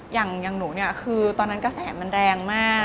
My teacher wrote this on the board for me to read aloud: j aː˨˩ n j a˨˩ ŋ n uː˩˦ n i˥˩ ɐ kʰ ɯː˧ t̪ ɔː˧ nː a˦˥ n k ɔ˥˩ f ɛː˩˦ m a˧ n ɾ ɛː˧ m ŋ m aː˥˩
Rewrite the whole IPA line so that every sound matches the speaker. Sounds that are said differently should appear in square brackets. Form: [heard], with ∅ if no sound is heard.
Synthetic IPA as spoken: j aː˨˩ [ŋ] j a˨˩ ŋ n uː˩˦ n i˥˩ ɐ kʰ ɯː˧ t̪ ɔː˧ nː a˦˥ n k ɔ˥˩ [s] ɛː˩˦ m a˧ n ɾ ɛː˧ [∅] ŋ m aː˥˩